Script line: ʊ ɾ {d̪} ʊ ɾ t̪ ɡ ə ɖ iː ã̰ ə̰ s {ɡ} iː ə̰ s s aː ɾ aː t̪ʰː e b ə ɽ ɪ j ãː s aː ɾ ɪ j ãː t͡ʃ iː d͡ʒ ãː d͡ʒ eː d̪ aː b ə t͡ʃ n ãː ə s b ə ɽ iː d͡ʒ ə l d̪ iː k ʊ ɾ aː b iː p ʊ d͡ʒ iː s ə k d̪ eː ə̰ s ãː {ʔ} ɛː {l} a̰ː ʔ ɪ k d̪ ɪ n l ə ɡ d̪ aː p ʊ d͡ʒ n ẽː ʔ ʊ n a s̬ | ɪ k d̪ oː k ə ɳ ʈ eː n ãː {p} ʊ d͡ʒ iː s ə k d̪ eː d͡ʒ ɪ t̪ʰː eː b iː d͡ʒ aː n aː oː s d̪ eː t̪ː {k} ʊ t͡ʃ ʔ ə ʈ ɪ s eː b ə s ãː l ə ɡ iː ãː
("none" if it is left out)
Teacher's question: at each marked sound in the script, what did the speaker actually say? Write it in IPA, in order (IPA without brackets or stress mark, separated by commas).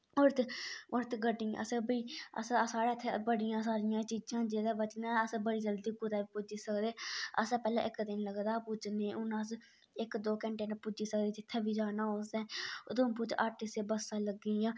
t̪, b, p, l, p, p